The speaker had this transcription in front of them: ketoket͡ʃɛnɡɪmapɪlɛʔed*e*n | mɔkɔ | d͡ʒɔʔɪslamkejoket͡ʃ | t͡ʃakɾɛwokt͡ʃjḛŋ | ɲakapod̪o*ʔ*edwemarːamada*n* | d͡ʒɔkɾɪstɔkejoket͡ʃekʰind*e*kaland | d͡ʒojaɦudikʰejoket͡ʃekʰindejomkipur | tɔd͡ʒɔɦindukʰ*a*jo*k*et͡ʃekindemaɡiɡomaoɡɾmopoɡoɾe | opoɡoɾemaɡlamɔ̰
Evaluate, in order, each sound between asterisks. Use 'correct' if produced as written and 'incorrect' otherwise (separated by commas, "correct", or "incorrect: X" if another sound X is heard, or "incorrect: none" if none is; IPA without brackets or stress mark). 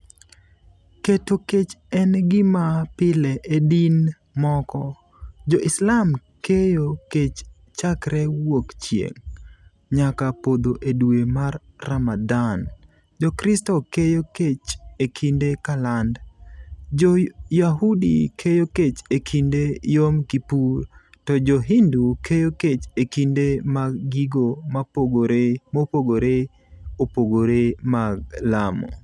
incorrect: i, correct, correct, correct, incorrect: e, correct